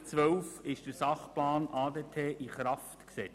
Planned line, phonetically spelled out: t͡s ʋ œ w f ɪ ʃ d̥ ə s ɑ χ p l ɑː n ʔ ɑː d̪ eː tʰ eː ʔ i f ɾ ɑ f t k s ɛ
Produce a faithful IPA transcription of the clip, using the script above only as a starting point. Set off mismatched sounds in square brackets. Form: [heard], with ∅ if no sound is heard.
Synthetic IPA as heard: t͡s ʋ œ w f ɪ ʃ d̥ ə s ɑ χ p l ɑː n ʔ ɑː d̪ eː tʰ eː ʔ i [χ] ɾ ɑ f t k s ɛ